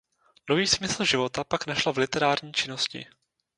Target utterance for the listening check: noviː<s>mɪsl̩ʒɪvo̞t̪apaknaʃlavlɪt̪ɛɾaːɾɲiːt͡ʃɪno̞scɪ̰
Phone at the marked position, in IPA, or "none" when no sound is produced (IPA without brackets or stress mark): s